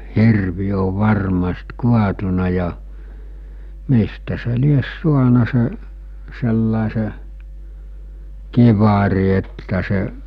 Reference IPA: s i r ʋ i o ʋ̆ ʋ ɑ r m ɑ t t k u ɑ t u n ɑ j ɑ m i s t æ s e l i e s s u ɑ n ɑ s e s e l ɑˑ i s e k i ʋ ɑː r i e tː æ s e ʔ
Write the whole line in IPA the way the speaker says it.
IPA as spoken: h i r ʋ i o ʋ̆ ʋ ɑ r m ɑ s t k u ɑ t u n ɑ j ɑ m i s t æ s e l i e s s u ɑ n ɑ s e s e lː ɑˑ e s e k i ʋ ɑ r i e tː æ s e ʔ